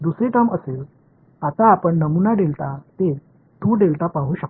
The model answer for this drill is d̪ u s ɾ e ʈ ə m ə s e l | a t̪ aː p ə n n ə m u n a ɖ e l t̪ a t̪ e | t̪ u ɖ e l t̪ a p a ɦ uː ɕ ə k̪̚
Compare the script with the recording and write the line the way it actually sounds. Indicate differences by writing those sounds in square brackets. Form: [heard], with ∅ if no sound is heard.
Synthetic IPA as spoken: d̪ u s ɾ e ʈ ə m ə s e l | a t̪ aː p ə [ɳ] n ə m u n a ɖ e l t̪ a t̪ e | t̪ u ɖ e l t̪ a p a ɦ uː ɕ ə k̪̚